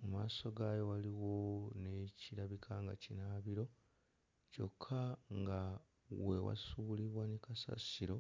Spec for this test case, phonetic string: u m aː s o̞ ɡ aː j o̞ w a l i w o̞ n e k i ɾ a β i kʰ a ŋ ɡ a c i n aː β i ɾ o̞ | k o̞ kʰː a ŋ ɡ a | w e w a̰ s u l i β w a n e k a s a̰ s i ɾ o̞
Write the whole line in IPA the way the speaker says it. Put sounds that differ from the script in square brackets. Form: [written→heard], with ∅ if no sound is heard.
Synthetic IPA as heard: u m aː s o̞ ɡ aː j o̞ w a l i w o̞ n e [k→c] i ɾ a β i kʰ a ŋ ɡ a c i n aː β i ɾ o̞ | [k→c] o̞ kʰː a ŋ ɡ a | w e w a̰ s u l i β w a n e k a s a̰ s i ɾ o̞